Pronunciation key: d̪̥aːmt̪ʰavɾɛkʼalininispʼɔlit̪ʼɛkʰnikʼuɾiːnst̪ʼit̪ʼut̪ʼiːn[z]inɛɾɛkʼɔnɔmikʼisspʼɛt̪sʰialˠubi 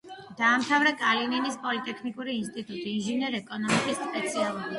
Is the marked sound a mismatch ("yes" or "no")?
yes